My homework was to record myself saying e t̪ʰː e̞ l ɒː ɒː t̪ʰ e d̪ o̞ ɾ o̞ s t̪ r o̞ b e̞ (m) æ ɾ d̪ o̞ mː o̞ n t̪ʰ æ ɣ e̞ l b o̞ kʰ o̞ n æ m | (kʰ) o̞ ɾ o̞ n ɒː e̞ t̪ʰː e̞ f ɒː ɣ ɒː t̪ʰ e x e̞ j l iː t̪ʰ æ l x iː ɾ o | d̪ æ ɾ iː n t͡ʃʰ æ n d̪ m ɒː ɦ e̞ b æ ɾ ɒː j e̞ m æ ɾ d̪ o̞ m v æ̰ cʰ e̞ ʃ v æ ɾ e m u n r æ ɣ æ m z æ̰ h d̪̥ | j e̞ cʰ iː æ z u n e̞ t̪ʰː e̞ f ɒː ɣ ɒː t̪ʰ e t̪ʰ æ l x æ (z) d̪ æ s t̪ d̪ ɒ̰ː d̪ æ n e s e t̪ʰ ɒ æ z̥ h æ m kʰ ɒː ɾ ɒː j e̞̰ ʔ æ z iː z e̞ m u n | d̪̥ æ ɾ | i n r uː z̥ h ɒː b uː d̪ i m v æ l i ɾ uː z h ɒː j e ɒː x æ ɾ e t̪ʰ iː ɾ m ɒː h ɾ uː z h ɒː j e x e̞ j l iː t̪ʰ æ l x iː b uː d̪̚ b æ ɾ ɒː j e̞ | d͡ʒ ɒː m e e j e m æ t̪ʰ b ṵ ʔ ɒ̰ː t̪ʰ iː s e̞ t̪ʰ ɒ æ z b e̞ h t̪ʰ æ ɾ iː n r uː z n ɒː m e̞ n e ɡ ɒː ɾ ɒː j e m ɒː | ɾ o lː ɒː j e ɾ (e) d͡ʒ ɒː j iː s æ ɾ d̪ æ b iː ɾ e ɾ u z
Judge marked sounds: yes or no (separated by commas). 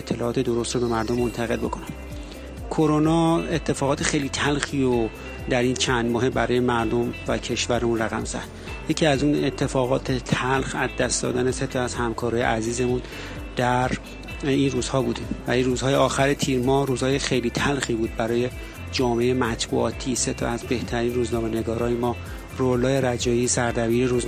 yes, yes, yes, no